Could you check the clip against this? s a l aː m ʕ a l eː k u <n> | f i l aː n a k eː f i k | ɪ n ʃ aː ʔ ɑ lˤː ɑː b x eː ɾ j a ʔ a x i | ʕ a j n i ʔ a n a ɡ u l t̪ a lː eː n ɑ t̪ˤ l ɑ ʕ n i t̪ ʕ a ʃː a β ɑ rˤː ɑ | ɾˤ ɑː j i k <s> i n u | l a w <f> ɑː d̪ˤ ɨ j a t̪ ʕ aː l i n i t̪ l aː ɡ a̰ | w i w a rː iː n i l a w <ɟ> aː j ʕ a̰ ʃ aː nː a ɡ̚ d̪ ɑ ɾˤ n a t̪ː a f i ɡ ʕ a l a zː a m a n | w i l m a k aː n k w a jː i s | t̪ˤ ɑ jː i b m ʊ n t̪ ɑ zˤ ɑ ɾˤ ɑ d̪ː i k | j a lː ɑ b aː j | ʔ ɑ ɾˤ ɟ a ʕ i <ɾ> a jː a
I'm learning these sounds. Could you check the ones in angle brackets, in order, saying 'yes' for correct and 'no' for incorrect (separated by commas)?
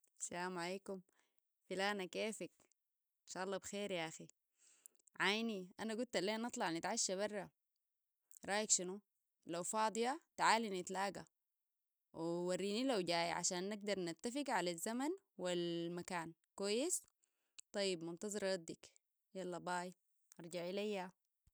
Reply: no, no, yes, yes, no